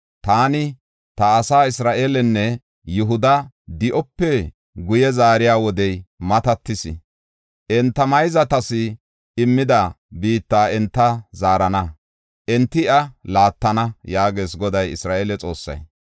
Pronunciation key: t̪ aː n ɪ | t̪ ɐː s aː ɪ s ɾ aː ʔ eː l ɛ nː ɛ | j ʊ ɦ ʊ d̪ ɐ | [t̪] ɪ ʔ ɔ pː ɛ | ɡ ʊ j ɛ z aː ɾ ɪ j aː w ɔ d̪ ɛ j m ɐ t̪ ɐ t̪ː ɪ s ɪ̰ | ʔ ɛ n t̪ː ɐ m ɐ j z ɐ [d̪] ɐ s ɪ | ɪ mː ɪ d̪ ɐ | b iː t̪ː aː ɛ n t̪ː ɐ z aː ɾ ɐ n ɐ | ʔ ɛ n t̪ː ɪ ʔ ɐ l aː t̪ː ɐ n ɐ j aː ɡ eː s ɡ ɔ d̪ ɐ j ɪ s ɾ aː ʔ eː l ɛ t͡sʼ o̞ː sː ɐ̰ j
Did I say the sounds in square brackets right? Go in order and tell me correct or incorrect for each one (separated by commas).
incorrect, incorrect